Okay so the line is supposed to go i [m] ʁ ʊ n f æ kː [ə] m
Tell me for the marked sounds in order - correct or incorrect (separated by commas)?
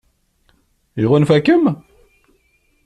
incorrect, correct